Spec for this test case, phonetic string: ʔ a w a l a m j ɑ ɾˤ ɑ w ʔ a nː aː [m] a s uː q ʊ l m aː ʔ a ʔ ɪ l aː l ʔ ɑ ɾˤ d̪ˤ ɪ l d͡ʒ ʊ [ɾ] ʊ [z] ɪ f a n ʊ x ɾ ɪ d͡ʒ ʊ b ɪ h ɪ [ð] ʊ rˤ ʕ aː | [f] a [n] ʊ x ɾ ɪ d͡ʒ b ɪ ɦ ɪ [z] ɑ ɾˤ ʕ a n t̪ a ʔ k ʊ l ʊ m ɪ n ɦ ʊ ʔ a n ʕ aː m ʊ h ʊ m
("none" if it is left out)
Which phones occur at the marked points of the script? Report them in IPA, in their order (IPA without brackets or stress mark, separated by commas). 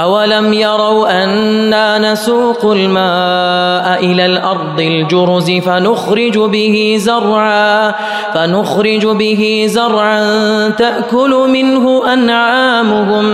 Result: n, ɾ, z, z, f, n, z